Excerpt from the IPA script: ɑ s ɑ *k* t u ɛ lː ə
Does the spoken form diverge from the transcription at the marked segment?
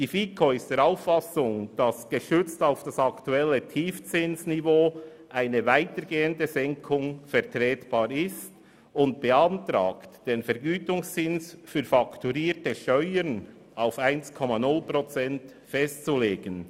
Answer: no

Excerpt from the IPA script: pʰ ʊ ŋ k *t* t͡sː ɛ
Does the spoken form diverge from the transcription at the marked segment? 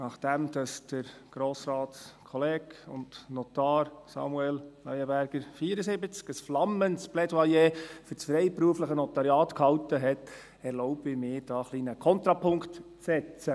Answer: no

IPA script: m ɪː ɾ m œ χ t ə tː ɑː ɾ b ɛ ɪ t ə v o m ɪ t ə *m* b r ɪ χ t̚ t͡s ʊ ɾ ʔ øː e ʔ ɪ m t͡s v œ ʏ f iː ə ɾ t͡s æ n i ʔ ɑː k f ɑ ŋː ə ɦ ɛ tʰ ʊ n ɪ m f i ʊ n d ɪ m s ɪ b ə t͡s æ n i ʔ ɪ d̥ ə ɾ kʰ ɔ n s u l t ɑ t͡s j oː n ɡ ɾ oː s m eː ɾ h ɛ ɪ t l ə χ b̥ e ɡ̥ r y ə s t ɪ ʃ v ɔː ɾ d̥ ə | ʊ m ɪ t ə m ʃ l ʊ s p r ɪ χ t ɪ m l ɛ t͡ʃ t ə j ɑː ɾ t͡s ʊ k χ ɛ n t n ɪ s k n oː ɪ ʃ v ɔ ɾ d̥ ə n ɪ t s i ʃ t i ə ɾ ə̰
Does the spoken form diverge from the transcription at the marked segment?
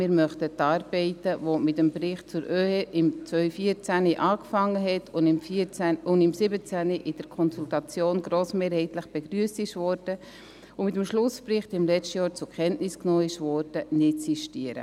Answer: no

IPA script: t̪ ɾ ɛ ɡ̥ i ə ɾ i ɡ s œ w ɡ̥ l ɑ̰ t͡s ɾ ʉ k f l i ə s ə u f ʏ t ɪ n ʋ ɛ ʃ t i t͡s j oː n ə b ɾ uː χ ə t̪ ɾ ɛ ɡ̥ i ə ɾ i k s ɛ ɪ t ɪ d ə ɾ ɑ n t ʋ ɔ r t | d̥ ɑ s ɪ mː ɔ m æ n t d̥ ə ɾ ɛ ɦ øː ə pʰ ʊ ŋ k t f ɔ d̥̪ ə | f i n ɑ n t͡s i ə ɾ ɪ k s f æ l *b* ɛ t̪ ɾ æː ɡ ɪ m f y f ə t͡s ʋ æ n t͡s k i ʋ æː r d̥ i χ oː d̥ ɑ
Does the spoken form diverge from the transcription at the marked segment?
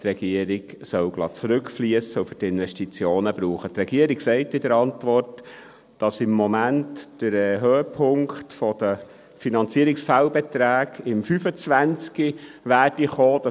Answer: no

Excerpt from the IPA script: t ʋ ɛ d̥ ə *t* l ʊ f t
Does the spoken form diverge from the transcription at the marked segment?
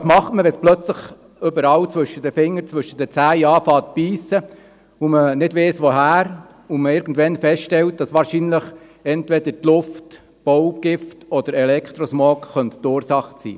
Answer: no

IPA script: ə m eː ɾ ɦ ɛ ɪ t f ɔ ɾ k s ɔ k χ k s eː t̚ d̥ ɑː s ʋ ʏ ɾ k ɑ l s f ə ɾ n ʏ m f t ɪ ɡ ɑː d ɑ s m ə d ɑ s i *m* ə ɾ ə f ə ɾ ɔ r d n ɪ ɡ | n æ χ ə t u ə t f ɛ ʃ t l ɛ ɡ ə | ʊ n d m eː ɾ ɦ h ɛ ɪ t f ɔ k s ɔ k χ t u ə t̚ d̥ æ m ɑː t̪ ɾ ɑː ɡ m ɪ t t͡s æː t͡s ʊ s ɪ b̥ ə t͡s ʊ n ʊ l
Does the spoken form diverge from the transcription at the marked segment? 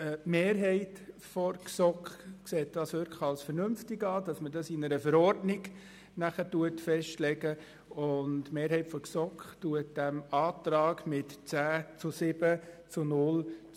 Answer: yes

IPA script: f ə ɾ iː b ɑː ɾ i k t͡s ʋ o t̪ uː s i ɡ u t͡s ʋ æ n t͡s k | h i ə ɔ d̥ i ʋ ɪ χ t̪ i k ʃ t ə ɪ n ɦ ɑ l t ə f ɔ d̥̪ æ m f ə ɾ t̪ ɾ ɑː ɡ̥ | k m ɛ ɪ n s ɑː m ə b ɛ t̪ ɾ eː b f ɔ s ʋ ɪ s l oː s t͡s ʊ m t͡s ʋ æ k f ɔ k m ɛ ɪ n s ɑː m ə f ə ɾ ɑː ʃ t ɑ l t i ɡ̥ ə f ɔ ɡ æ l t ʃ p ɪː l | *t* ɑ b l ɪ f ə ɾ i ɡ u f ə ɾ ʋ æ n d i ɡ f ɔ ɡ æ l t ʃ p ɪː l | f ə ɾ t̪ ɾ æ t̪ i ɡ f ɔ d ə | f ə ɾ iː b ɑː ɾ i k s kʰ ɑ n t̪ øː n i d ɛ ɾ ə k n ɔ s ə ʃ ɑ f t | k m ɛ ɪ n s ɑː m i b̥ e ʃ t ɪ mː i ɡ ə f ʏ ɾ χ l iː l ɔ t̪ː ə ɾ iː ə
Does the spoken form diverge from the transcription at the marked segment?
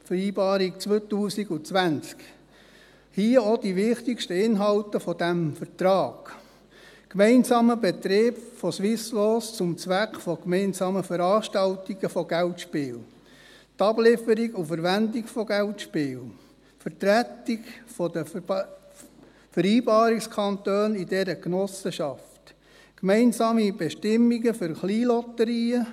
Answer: no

